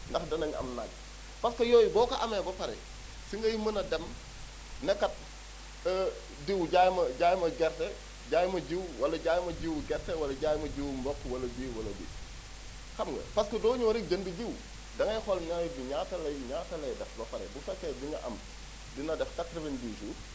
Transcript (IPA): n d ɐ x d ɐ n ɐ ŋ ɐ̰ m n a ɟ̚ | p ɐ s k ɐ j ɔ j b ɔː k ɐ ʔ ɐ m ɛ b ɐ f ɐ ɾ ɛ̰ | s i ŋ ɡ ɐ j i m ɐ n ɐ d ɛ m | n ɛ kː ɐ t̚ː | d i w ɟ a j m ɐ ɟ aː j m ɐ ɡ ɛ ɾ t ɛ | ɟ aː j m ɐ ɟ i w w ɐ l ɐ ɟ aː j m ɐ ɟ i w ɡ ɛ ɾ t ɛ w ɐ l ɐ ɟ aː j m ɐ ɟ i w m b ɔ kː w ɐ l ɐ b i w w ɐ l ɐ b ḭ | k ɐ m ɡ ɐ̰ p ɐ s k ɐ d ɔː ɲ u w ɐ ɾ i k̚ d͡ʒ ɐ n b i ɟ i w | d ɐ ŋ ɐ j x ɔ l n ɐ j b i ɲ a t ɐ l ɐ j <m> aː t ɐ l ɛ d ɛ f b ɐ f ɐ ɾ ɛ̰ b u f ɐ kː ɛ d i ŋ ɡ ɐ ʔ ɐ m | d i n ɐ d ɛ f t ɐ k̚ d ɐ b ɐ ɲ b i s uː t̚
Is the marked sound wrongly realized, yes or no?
yes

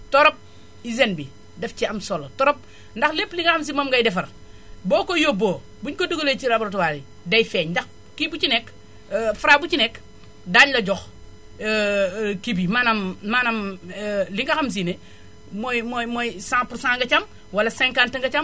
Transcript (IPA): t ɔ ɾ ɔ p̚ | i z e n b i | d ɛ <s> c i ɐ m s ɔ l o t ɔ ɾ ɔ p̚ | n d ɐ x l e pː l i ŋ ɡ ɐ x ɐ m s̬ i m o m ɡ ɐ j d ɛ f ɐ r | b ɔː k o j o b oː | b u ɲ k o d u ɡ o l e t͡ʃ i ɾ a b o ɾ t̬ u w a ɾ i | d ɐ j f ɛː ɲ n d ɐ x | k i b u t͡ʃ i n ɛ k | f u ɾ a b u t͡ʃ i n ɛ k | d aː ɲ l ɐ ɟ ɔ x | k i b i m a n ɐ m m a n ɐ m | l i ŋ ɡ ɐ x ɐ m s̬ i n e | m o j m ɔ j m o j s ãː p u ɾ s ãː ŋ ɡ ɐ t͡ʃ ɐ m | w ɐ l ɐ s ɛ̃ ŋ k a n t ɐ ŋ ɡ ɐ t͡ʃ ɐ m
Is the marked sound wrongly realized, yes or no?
yes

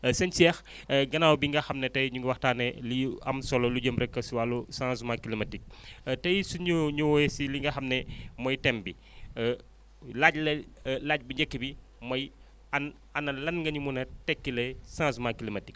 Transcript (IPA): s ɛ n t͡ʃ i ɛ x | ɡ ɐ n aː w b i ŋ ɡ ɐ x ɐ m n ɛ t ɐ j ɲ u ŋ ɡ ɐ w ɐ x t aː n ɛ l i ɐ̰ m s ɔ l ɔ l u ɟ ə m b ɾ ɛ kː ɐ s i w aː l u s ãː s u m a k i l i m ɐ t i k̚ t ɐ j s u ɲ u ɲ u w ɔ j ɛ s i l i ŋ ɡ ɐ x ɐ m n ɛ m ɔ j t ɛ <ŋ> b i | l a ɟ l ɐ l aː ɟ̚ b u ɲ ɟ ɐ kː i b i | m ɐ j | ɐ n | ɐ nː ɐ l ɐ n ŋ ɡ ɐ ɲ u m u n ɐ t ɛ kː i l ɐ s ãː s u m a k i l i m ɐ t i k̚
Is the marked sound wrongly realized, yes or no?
yes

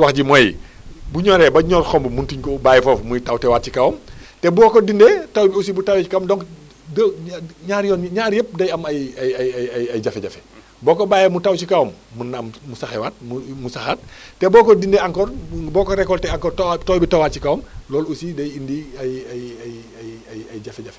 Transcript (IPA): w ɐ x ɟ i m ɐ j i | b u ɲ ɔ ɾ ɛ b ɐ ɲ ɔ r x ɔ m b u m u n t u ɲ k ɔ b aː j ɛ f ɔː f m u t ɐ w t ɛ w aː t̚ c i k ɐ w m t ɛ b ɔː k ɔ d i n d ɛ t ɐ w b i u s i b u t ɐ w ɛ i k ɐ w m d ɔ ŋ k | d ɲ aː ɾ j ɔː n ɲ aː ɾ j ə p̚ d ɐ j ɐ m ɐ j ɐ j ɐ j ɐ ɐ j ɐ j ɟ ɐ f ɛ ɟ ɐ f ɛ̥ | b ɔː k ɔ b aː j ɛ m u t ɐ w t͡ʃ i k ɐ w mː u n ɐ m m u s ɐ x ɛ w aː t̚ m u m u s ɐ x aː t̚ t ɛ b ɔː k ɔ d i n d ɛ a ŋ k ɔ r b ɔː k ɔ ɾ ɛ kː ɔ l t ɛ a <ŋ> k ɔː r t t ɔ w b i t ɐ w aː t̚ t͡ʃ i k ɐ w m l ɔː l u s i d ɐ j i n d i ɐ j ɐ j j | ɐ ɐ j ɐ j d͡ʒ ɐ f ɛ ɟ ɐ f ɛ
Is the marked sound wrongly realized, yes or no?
no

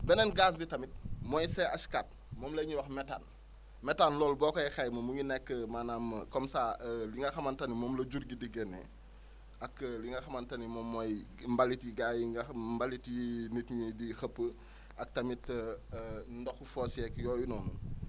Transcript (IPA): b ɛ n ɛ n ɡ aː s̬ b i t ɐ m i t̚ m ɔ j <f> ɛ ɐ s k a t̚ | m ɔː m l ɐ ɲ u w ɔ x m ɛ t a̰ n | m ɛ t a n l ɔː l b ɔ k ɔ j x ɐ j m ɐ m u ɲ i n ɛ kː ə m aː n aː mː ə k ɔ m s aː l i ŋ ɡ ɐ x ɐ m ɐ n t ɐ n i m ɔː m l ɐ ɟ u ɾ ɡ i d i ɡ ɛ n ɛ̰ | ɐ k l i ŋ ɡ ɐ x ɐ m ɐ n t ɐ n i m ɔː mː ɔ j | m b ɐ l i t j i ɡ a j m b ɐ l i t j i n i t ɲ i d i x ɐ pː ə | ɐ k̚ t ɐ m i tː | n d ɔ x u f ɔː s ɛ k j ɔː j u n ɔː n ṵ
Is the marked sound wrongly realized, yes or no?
yes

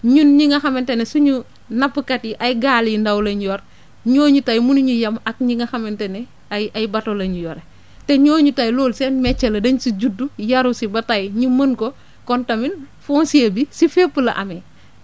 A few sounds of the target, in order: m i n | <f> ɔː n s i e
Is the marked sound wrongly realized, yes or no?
no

